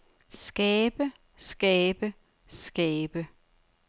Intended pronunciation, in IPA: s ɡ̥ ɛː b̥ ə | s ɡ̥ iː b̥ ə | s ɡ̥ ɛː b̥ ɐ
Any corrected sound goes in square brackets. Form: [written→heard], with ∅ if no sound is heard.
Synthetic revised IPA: s ɡ̥ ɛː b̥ ə | s ɡ̥ [iː→ɛː] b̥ ə | s ɡ̥ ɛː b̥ [ɐ→ə]